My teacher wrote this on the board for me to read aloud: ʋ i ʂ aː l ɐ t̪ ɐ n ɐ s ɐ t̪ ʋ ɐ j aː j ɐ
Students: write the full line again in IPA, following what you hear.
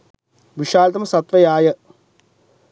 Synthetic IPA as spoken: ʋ i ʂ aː l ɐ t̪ ɐ m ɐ s ɐ t̪ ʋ ɐ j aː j ɐ